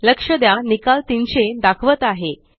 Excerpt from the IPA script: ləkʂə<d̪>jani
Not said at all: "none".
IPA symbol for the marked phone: d̪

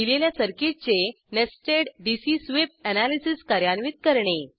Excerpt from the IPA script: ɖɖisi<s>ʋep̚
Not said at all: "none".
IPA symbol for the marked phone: s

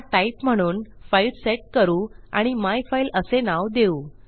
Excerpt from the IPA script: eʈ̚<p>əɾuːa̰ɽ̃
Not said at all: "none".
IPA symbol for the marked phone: k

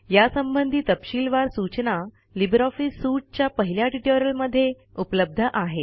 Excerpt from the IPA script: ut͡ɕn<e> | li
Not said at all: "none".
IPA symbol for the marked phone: a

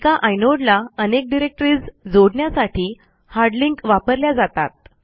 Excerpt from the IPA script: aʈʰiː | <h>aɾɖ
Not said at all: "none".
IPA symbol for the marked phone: h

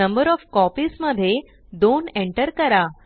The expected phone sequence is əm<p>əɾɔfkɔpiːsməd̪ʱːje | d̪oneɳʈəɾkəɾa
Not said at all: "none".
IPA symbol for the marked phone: b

